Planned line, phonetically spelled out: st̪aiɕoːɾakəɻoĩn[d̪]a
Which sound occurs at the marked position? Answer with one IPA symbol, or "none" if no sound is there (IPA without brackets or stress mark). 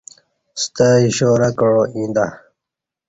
d̪